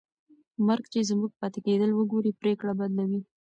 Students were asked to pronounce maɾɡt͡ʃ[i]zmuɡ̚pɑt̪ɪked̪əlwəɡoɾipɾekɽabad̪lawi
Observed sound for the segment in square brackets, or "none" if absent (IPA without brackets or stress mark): e